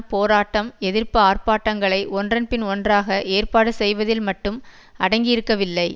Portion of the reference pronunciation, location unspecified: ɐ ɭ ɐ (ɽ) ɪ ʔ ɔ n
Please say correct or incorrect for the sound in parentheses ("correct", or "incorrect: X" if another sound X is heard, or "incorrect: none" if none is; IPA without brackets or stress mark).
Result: incorrect: none